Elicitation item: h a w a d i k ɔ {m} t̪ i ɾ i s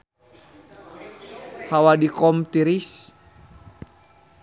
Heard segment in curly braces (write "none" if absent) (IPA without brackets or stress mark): m